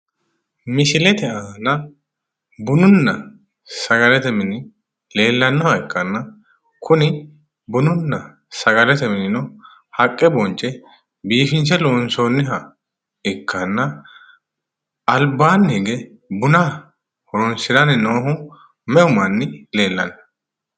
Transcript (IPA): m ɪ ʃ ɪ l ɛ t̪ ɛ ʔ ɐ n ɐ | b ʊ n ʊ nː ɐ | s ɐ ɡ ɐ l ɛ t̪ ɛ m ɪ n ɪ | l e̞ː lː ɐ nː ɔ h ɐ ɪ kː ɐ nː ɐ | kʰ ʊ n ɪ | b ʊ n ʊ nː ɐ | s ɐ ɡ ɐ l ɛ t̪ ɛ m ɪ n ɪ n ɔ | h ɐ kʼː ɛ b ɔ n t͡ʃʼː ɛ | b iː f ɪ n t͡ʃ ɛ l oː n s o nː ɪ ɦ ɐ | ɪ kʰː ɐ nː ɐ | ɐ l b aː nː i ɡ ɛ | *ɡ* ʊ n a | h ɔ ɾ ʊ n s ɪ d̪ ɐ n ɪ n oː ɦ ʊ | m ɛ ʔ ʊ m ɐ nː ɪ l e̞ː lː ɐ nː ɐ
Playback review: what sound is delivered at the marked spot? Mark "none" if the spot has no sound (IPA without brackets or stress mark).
b